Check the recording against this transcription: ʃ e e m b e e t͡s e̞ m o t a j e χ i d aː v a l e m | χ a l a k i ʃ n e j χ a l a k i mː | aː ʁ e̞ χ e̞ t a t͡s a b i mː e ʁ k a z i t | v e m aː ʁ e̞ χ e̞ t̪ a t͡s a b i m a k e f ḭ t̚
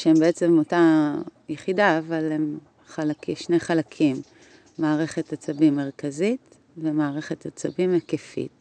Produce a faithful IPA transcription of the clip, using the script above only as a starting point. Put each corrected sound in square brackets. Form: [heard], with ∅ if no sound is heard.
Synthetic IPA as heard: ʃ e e m b e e t͡s e̞ m o t a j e χ i d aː v a l e m | χ a l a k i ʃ n e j χ a l a [kʰ] i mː | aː ʁ e̞ χ e̞ t a t͡s a b i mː e ʁ k a z i t | v e m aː ʁ e̞ χ e̞ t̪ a t͡s a b i m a k e f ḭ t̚